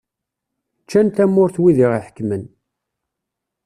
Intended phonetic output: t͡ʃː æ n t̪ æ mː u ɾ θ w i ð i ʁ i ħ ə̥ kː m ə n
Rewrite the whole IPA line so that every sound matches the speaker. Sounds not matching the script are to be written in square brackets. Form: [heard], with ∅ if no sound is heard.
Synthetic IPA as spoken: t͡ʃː æ n t̪ æ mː [ʊ] ɾ θ w i ð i ʁ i ħ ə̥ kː m ə n